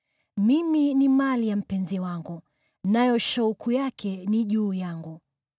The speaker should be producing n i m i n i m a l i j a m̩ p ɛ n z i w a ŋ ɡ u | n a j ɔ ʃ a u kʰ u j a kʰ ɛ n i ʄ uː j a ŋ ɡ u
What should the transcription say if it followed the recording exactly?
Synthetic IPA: m i m i n i m a l i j a m̩ p ɛ n z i w a ŋ ɡ u | n a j ɔ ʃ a u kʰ u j a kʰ ɛ n i ʄ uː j a ŋ ɡ u

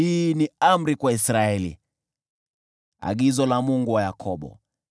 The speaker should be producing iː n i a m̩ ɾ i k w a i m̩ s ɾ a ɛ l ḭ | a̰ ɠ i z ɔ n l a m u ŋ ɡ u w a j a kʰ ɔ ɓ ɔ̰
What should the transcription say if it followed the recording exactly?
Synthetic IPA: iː n i a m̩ ɾ i k w a i s ɾ a ɛ l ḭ | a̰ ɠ i z ɔ l a m u ŋ ɡ u w a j a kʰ ɔ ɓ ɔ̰

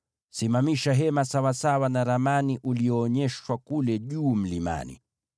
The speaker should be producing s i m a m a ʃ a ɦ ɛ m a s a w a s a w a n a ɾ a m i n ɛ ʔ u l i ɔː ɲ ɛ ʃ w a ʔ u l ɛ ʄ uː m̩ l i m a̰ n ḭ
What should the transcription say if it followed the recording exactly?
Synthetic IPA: s i m a m i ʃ a ɦ ɛ m a s a w a s a w a n a ɾ a m a n i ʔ u l i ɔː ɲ ɛ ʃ w a k u l ɛ ʄ uː m̩ l i m a̰ n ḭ

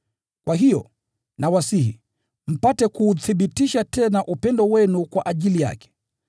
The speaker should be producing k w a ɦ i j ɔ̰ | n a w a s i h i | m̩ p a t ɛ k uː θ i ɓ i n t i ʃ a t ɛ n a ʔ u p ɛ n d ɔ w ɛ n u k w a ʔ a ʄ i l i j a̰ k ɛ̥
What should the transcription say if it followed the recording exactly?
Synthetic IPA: k w a ɦ i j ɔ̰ | n a w a s i h i | m̩ p a t ɛ k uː θ i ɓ i t i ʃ a t ɛ n a ʔ u p ɛ n d ɔ w ɛ n u k w a ʔ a ʄ i l i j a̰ k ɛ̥

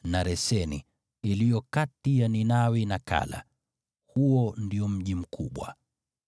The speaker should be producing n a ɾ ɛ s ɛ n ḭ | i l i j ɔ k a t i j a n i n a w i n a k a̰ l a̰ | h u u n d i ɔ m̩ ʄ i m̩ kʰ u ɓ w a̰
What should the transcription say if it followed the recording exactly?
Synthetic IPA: n a ɾ ɛ s ɛ n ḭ | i l i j ɔ k a t i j a n i n a w i n a k a̰ l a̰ | h u ɔ n d i ɔ m̩ ʄ i m̩ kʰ u ɓ w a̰

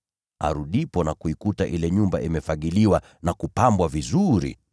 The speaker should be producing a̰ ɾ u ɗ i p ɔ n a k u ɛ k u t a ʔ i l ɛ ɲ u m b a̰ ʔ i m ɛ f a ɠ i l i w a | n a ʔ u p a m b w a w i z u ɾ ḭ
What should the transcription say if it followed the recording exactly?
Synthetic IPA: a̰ ɾ u ɗ i p ɔ n a k u i k u t a ʔ i l ɛ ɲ u m b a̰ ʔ i m ɛ f a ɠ i l i w a | n a k u p a m b w a v i z u ɾ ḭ

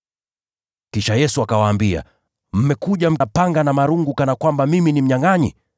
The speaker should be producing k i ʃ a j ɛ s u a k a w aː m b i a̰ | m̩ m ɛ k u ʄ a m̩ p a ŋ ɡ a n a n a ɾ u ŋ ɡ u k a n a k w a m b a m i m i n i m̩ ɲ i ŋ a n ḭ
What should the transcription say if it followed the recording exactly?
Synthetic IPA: k i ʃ a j ɛ s u a k a w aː m b i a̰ | m̩ m ɛ k u ʄ a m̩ p a ŋ ɡ a n a m a ɾ u ŋ ɡ u k a n a k w a m b a m i m i n i m̩ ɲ a ŋ a ɲ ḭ

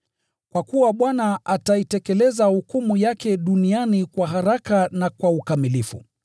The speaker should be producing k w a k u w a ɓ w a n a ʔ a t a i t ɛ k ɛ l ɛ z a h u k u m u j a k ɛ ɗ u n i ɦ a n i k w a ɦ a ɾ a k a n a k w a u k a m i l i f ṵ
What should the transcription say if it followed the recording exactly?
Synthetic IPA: k w a k u w a ɓ w a n a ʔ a t a i t ɛ k ɛ l ɛ z a h u k u m u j a k ɛ ɗ u n i a n i k w a ɦ a ɾ a k a n a k w a u k a m i l i f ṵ

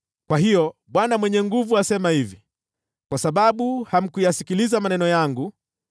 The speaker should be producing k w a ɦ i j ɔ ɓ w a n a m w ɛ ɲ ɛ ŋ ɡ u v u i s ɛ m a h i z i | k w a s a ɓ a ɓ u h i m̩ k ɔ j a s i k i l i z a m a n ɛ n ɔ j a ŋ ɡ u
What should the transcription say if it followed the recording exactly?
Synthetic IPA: k w a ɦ i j ɔ ɓ w a n a m w ɛ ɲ ɛ ŋ ɡ u v u a s ɛ m a h i v i | k w a s a ɓ a ɓ u h a m̩ k u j a s i k i l i z a m a n ɛ n ɔ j a ŋ ɡ u

